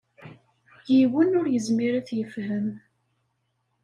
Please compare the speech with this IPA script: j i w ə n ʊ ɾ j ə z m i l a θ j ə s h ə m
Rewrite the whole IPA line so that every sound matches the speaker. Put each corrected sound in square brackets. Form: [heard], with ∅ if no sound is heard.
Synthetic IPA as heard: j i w ə n ʊ ɾ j ə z m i [ɾ] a θ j ə [f] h ə m